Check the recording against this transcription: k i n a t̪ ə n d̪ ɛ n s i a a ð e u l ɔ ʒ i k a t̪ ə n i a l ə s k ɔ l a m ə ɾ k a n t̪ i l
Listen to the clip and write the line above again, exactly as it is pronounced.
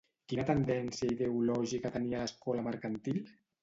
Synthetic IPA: k i n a t̪ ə n d̪ ɛ n s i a i ð e u l ɔ ʒ i k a t̪ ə n i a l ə s k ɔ l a m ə ɾ k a n t̪ i l